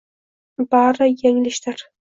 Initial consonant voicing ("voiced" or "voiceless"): voiced